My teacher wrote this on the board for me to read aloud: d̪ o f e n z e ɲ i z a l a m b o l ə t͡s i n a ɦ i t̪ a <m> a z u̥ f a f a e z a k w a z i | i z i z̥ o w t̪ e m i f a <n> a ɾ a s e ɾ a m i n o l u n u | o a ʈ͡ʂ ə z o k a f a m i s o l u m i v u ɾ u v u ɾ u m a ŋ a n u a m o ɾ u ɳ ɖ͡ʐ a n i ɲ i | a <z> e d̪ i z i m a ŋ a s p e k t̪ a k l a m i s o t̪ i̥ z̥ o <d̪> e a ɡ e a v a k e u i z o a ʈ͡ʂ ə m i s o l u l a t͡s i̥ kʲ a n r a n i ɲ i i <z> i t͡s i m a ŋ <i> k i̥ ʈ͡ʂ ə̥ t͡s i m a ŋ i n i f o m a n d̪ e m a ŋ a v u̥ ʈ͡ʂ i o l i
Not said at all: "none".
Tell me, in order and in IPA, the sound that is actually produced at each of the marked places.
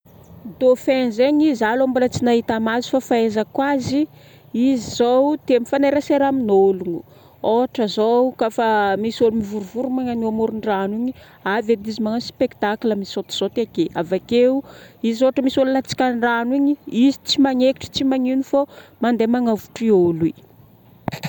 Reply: m, n, v, t̪, z, e

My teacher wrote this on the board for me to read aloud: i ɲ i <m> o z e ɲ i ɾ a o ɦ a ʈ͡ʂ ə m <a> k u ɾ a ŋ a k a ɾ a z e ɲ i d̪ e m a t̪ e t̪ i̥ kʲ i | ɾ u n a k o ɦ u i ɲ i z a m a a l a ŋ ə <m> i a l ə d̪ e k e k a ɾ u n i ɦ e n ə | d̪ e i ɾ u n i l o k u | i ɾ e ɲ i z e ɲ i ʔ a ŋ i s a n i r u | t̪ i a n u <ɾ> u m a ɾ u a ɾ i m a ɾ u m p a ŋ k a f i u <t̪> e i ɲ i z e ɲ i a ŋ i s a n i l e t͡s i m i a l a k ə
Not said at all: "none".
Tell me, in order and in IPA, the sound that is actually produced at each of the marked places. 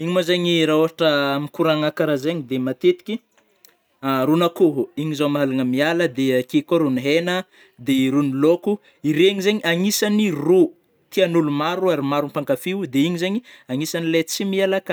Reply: m, i, m, l, d̪

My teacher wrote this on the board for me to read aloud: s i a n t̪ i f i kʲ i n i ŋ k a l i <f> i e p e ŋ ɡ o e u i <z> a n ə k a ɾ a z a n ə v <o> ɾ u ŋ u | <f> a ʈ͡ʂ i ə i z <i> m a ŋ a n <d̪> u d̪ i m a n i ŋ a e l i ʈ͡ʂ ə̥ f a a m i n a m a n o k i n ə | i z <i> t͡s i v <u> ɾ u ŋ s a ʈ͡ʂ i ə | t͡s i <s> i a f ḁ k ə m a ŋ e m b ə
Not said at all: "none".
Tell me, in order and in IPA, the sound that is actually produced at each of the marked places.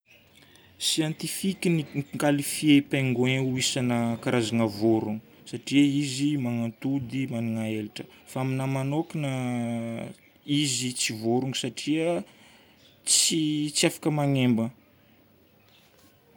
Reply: f, s, o, s, i, t̪, i, o, t͡s

